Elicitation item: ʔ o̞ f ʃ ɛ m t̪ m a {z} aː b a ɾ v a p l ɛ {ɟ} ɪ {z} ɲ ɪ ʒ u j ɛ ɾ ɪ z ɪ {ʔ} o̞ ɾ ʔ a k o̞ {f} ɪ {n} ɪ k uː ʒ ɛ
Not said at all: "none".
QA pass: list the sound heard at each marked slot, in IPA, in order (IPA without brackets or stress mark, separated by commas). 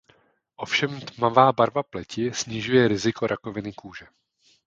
v, c, s, k, v, n